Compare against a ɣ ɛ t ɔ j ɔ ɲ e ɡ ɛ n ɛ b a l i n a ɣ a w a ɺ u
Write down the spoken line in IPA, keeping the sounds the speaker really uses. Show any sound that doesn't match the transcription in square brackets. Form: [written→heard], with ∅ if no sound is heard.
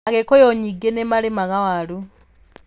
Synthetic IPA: a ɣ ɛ [t→k] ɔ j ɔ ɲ [e→i] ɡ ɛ n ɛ [b→m] a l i [n→m] a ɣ a w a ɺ u